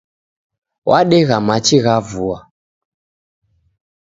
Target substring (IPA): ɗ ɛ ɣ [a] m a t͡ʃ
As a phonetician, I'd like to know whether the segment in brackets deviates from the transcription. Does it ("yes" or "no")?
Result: no